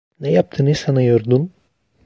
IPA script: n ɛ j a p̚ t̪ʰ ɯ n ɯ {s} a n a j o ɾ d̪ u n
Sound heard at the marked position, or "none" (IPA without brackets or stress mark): s